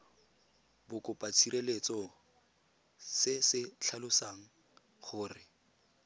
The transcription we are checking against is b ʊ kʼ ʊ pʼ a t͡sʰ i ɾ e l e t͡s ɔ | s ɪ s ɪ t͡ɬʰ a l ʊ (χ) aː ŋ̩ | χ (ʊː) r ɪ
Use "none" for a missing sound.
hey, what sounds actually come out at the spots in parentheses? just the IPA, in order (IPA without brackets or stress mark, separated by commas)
s, ʊː